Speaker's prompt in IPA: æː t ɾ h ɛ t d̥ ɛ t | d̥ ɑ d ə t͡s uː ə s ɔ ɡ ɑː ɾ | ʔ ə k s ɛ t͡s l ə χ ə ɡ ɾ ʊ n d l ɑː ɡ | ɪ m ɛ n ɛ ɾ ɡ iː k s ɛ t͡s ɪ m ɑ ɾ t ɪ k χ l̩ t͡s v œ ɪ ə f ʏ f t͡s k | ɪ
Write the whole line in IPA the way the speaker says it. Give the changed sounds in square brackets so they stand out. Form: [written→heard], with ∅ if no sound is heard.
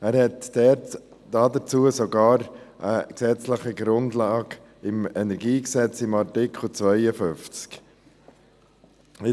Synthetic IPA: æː [t→∅] ɾ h ɛ t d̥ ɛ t | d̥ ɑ d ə t͡s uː ə s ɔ ɡ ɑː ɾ | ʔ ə k s ɛ t͡s l ə χ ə ɡ ɾ ʊ n d l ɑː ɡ | ɪ m ɛ n ɛ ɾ ɡ iː k s ɛ t͡s ɪ m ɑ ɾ t ɪ k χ l̩ t͡s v œ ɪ ə f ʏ f t͡s k | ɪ

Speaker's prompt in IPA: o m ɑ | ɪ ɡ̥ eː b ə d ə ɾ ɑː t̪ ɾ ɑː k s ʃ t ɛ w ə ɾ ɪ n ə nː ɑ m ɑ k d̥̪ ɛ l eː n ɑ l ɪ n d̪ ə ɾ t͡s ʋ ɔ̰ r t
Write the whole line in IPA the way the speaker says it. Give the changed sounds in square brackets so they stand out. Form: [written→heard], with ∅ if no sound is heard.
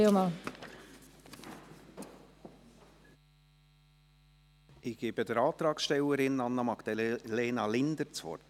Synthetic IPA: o m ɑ | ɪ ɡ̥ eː b ə d ə ɾ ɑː t̪ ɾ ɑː k s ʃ t ɛ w ə ɾ ɪ n [ə→ɑ] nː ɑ m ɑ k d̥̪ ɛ l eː n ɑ l ɪ n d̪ ə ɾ t͡s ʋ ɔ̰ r t

